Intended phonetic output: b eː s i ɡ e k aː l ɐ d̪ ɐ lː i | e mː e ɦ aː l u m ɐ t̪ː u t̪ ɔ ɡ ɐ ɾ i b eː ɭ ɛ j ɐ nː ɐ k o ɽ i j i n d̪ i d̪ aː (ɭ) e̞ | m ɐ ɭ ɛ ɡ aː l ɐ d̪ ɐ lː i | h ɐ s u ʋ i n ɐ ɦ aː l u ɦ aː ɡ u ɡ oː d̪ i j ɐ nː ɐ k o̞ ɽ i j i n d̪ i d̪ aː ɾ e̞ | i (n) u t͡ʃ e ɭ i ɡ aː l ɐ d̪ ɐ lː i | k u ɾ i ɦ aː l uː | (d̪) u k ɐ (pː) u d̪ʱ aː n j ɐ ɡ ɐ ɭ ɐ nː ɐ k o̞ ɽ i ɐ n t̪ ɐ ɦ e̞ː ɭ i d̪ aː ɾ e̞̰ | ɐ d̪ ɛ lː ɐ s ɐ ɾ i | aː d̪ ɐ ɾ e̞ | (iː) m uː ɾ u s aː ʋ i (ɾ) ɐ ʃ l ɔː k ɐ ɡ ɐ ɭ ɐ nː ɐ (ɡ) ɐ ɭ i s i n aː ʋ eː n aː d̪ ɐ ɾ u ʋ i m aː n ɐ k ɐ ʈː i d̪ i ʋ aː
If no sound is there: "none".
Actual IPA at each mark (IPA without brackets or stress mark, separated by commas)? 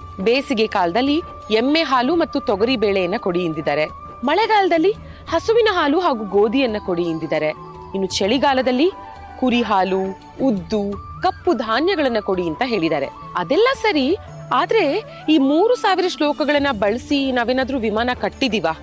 ɾ, nː, d̪ː, pː, iː, ɾ, b